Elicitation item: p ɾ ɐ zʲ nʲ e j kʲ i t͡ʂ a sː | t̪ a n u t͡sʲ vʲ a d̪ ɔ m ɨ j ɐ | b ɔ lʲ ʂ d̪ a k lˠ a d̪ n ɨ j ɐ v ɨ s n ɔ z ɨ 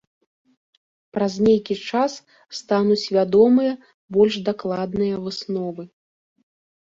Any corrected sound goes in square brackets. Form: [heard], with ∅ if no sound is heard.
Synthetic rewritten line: p ɾ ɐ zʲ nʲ e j kʲ i t͡ʂ a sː | t̪ a n u t͡sʲ vʲ a d̪ ɔ m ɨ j ɐ | b ɔ lʲ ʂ d̪ a k lˠ a d̪ n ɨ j ɐ v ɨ s n ɔ [v] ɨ